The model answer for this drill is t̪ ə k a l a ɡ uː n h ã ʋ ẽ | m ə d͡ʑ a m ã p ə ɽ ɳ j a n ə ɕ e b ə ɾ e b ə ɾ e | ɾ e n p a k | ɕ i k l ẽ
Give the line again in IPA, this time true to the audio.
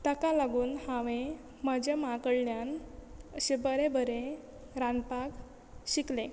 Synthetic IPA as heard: t̪ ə k a l a ɡ uː n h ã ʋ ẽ | m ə d͡ʑ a m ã k ə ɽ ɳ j a n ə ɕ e b ə ɾ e b ə ɾ e | ɾ a n p a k | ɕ i k l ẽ